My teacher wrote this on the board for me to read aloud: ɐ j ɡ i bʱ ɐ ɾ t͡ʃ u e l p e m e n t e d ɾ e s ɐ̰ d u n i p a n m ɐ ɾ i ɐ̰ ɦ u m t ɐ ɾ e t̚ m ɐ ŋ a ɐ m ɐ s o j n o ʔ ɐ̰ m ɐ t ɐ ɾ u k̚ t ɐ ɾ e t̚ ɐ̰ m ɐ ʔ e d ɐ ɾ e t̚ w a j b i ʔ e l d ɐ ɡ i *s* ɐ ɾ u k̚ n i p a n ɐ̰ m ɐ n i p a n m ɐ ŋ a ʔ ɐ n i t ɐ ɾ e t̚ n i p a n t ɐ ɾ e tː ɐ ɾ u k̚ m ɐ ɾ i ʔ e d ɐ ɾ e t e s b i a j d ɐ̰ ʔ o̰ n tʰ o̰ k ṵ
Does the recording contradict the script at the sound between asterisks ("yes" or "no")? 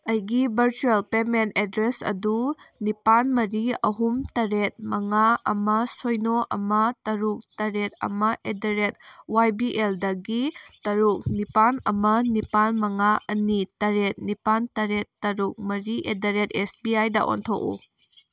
yes